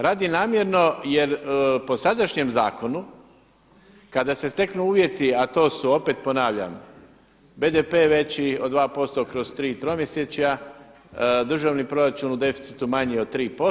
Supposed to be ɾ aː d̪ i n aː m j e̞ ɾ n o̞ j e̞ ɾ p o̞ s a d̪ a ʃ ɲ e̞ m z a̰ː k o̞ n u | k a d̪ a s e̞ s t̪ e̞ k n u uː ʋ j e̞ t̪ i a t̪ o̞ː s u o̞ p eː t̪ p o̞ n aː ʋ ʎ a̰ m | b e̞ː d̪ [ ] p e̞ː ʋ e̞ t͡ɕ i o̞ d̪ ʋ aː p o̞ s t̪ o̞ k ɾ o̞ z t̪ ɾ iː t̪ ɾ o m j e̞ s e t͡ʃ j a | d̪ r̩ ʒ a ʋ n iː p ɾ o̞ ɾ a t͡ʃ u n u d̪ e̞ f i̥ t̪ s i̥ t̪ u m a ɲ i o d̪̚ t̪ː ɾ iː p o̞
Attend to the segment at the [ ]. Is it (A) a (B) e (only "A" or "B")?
B